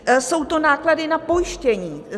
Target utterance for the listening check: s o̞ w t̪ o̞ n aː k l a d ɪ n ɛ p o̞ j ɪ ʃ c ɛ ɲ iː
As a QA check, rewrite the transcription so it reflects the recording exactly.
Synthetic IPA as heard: s o̞ w t̪ o̞ n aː k l a d ɪ n a p o̞ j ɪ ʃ c ɛ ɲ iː

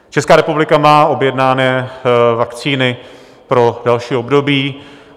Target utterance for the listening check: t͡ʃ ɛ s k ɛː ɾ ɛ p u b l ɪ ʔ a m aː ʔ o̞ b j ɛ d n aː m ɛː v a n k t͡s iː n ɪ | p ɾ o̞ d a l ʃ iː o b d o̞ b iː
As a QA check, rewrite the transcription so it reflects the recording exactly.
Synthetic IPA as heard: t͡ʃ ɛ s k aː ɾ ɛ p u b l ɪ k a m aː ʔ o̞ b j ɛ d n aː n ɛː v a k t͡s iː n ɪ | p ɾ o̞ d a l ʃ iː o b d o̞ b iː

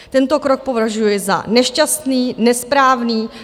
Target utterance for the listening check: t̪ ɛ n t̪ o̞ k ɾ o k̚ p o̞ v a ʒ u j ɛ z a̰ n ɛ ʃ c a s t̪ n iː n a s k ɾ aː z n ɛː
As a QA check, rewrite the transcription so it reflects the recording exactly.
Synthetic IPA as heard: t̪ ɛ n t̪ o̞ k ɾ o k̚ p o̞ v a ʒ u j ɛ z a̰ n ɛ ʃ c a s t̪ n iː n ɛ s p ɾ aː v n iː

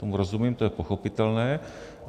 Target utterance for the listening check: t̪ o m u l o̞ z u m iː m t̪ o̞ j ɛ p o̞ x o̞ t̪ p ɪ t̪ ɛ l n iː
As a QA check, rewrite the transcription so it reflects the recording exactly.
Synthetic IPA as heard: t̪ o m u ɾ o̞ z u m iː m t̪ o̞ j ɛ p o̞ x o̞ p ɪ t̪ ɛ l n ɛː

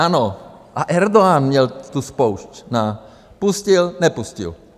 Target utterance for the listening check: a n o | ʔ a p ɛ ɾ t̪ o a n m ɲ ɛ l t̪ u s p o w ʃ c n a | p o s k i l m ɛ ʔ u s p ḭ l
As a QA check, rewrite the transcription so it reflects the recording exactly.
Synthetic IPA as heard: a n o | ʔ a ʔ ɛ ɾ d̪ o a n m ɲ ɛ l t̪ u s p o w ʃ c n a | p u s c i l n ɛ p u s c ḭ l

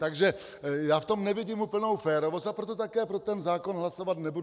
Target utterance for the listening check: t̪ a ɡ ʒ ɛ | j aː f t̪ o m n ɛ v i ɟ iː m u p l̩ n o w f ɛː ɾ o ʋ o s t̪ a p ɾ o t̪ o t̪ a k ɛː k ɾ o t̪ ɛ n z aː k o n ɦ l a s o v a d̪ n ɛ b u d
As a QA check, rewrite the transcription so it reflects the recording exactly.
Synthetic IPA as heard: t̪ a ɡ ʒ ɛ | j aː f t̪ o m n ɛ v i ɟ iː m u p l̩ n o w f ɛː ɾ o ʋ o s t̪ a p ɾ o t̪ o t̪ a k ɛː p ɾ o t̪ ɛ n z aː k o n ɦ l a s o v a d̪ n ɛ b u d

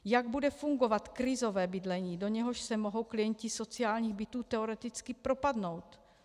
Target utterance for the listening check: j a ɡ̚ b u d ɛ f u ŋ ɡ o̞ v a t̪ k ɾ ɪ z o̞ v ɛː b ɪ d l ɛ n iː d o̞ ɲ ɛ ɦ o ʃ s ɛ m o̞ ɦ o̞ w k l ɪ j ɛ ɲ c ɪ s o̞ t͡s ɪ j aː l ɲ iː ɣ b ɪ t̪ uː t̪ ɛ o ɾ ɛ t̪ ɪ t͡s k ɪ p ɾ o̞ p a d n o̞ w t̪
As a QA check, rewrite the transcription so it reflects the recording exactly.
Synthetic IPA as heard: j a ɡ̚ b u d ɛ f u ŋ ɡ o̞ v a t̪ k ɾ ɪ z o̞ v ɛː b ɪ d l ɛ ɲ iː d o̞ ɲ ɛ ɦ o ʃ s ɛ m o̞ ɦ o̞ w k l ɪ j ɛ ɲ c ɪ s o̞ t͡s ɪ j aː l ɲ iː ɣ b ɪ t̪ uː t̪ ɛ o ɾ ɛ t̪ ɪ t͡s k ɪ p ɾ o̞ p a d n o̞ w t̪

